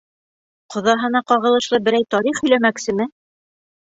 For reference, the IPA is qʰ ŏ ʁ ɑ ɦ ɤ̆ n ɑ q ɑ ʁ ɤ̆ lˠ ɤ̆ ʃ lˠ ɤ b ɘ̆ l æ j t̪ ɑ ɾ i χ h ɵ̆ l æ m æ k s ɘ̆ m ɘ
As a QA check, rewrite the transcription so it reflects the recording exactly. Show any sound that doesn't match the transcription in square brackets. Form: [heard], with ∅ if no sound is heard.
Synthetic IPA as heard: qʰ ŏ [ð] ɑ ɦ ɤ̆ n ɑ q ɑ ʁ ɤ̆ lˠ ɤ̆ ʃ lˠ ɤ b ɘ̆ [ɾ] æ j t̪ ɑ ɾ i χ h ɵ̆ l æ m æ k s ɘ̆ m ɘ